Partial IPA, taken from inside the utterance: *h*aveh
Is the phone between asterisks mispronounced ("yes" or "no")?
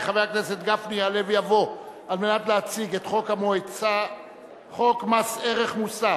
yes